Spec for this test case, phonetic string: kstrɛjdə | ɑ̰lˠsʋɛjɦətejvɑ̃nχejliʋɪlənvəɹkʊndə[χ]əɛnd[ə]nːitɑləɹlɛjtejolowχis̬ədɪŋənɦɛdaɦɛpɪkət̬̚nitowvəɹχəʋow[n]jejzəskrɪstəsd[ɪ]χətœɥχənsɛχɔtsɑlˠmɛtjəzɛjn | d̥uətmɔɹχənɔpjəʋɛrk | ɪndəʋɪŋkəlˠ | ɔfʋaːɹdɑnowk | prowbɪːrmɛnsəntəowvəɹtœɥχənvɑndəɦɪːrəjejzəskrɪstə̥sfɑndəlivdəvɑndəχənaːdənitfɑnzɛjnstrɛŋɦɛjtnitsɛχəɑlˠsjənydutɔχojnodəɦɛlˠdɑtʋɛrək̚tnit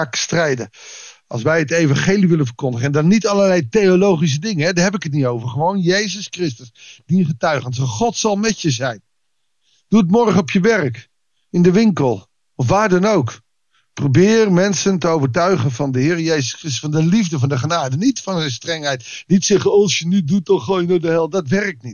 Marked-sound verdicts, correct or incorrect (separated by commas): correct, incorrect, correct, incorrect